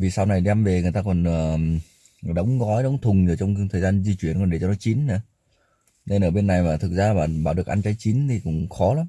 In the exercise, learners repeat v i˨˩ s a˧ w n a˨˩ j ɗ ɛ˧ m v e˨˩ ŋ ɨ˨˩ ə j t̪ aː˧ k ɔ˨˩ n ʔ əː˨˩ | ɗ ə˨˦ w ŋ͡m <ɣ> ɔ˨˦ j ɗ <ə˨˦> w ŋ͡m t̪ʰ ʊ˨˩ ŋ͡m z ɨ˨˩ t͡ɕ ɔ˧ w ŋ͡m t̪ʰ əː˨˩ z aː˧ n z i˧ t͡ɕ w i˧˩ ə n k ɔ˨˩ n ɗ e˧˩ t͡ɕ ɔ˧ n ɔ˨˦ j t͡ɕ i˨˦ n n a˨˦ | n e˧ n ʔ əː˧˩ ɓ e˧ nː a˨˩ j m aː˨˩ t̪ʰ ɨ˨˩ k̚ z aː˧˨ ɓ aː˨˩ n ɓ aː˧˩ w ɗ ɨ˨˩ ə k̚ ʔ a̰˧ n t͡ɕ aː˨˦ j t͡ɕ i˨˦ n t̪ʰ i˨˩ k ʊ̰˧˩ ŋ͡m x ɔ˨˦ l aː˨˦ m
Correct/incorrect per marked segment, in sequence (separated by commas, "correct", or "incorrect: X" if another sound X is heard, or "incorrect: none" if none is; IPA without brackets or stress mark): correct, correct